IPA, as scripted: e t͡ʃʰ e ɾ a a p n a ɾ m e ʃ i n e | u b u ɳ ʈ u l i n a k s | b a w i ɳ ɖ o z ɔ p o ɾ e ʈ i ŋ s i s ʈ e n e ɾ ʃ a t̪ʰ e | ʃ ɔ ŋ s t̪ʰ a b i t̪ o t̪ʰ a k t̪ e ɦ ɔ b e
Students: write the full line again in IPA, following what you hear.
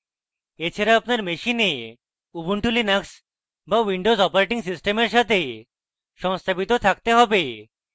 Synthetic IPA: e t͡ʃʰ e ɾ a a p n a ɾ m e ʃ i n e | u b u ɳ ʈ u l i n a k s | b a w i ɳ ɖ o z ɔ p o ɾ e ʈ i ŋ s i s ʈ e m e ɾ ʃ a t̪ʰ e | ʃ ɔ ŋ s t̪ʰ a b i t̪ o t̪ʰ a k t̪ e ɦ ɔ b e